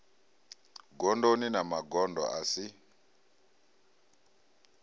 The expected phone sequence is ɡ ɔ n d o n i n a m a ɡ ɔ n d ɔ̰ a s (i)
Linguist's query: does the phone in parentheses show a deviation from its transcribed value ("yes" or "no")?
no